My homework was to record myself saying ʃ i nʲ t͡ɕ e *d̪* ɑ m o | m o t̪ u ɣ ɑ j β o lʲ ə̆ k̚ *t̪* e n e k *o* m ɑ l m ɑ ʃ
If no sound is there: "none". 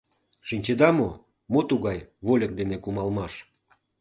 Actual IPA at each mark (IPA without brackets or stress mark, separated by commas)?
d̪, d̪, u